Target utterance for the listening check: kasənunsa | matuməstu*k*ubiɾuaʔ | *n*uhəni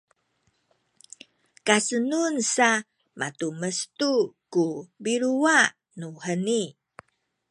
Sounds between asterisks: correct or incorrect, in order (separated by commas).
correct, correct